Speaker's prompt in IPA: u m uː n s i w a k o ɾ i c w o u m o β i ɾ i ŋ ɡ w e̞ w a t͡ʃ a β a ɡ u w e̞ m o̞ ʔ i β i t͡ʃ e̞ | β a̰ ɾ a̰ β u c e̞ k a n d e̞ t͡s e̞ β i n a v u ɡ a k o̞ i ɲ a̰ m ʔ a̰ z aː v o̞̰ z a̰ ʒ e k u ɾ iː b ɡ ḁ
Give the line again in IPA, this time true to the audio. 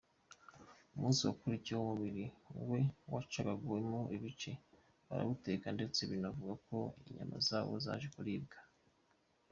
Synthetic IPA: u m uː n s i w a k u ɾ i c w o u m u β i ɾ i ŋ ɡ w e̞ w a t͡ʃ a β a ɡ u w e̞ m o̞ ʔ i β i t͡ʃ e̞ | β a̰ ɾ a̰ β u t e̞ k a n d e̞ t͡s e̞ β i n a v u ɡ a k o̞ i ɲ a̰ m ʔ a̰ z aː β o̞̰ z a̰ ʒ e k u ɾ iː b ɡ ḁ

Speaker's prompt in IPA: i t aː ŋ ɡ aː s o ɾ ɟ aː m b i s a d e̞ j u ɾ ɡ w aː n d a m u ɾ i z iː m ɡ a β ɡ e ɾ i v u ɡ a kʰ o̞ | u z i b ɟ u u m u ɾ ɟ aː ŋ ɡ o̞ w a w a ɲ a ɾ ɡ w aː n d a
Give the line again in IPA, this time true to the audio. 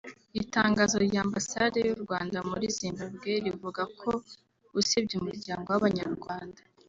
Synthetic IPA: i t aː ŋ ɡ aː z o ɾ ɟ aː m b a s a d e̞ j u ɾ ɡ w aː n d a m u ɾ i z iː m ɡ a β ɡ e ɾ i v u ɡ a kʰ o̞ | u s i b ɟ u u m u ɾ ɟ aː ŋ ɡ o̞ w a β a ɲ a ɾ ɡ w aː n d a

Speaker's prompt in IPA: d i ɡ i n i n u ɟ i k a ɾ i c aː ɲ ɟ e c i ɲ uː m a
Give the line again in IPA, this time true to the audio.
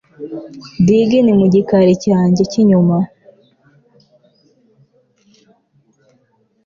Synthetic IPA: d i ɡ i n i m u ɟ i k a ɾ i c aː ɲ ɟ e c i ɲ u m a

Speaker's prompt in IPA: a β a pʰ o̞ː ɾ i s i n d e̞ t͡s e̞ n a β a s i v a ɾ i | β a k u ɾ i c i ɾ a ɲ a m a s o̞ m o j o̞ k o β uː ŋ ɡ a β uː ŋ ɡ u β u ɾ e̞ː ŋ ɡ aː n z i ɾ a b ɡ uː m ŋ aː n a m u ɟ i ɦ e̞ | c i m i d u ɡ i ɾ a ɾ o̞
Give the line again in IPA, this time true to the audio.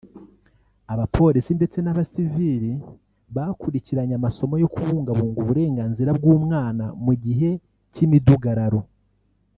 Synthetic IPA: a β a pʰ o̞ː ɾ i s i n d e̞ t͡s e̞ n a β a s i v i ɾ i | β a k u ɾ i c i ɾ a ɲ a m a s o̞ m o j o̞ k u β uː ŋ ɡ a β uː ŋ ɡ u β u ɾ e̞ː ŋ ɡ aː n z i ɾ a b ɡ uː m ŋ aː n a m u ɟ i ɦ e̞ | c i m i d u ɡ a ɾ a ɾ o̞

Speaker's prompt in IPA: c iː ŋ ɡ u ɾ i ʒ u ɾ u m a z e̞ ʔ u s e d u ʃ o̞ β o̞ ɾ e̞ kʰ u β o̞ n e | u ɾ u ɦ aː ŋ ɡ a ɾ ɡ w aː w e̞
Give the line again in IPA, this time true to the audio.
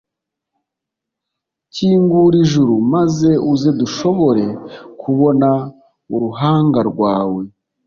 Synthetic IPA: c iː ŋ ɡ u ɾ i ʒ u ɾ u m a z e̞ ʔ u z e d u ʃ o̞ β o̞ ɾ e̞ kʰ u β o̞ n a | u ɾ u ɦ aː ŋ ɡ a ɾ ɡ w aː w e̞

